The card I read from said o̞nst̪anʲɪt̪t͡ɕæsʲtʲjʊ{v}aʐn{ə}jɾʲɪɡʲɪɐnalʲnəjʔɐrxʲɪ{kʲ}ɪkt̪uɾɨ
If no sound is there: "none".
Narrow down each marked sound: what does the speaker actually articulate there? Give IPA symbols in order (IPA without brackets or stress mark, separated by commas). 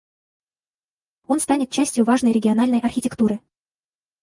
v, ə, tʲ